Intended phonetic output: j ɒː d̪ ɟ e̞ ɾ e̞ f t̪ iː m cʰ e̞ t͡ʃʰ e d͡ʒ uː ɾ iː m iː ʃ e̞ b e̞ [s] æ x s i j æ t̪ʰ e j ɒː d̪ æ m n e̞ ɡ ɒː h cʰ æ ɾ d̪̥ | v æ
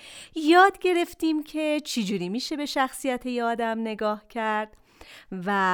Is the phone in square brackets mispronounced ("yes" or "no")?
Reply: yes